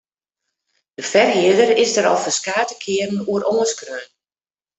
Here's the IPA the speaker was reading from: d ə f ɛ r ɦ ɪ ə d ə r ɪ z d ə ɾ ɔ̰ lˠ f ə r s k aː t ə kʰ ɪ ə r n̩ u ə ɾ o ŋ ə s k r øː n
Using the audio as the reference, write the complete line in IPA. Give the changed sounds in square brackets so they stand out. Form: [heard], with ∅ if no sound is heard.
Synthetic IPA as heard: d ə f ɛ r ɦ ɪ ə d ə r ɪ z d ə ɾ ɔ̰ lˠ f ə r s k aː t ə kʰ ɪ ə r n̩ u ə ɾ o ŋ ə s k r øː n

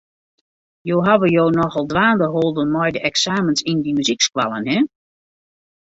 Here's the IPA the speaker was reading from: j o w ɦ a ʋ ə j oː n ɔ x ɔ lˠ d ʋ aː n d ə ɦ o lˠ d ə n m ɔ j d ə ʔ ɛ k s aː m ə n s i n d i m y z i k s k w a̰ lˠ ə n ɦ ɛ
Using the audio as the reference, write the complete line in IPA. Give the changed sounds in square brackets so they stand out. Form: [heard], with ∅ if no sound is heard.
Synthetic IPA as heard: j o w ɦ a ʋ ə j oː n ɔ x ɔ lˠ d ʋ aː n d ə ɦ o lˠ d ə n m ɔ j d ə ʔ ɛ k s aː m ə n s i n d i m y z i k s k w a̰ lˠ ə n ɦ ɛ

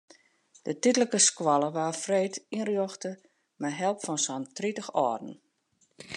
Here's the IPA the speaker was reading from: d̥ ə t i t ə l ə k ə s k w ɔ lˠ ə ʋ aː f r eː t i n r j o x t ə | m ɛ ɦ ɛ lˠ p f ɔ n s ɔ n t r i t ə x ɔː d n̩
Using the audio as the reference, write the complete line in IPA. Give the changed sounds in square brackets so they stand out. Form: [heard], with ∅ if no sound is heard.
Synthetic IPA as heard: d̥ ə t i t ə l ə k ə s k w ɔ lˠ ə ʋ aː f r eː t i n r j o x t ə | m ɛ ɦ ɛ lˠ p f ɔ n s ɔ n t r i t ə x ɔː d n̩

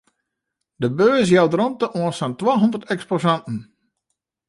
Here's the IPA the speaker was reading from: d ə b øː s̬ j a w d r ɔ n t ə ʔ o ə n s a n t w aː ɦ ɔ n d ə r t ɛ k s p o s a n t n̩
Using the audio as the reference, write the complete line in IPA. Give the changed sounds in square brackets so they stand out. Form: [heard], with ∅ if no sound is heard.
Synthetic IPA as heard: d ə b øː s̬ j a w d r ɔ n t ə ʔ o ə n s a n t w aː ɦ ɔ n d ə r t ɛ k s p o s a n t n̩

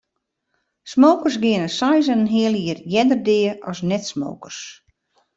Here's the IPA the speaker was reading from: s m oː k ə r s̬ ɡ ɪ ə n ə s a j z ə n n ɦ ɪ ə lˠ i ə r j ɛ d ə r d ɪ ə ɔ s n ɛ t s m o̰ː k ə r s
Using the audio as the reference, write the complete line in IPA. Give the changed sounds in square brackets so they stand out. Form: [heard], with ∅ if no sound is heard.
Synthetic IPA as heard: s m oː k ə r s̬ ɡ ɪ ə n ə s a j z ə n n ɦ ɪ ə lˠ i ə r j ɛ d ə r d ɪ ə ɔ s n ɛ t s m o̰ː k ə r s

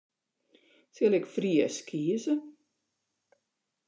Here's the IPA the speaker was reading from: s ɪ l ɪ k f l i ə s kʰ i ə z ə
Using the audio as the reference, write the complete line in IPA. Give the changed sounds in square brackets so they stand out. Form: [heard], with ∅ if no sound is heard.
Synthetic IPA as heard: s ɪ l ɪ k f [r] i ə s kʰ i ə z ə

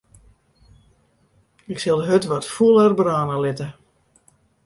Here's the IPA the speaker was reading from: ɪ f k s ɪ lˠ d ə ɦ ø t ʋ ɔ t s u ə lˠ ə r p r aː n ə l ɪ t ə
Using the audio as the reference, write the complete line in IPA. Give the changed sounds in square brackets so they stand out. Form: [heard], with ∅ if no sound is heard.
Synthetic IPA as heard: ɪ [∅] k s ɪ lˠ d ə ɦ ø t ʋ ɔ t [f] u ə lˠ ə r [b] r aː n ə l ɪ t ə

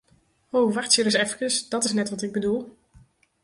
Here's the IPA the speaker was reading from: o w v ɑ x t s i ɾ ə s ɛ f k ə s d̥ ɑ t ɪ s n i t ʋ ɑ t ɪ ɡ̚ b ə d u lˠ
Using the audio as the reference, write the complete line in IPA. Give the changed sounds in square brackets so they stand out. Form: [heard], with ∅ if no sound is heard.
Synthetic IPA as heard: o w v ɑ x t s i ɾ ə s ɛ f k ə s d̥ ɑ t ɪ s n [ɛ] t ʋ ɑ t ɪ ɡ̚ b ə d u lˠ

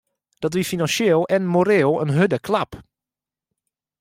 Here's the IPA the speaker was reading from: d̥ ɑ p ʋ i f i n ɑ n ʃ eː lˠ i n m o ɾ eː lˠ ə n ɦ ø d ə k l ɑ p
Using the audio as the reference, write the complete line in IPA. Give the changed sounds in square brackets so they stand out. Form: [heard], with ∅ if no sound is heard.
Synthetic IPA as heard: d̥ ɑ [t] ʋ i f i n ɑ n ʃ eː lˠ [ɛ] n m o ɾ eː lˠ ə n ɦ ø d ə k l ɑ p

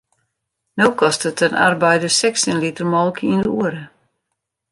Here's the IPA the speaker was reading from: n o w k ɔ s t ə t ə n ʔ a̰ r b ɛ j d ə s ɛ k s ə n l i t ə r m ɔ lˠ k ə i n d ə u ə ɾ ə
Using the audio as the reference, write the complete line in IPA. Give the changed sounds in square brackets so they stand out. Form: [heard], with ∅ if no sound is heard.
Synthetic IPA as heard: n o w k ɔ s t ə t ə n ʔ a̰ r b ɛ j d ə s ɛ k s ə n l i t ə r m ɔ lˠ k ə i n d ə u ə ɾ ə

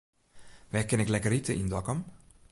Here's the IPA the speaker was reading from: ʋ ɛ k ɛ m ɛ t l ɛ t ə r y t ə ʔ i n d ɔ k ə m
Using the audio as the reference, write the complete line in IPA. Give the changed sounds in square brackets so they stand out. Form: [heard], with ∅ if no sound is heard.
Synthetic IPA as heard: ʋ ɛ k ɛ [n] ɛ [k] l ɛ [k] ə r [i] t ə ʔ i n d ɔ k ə m

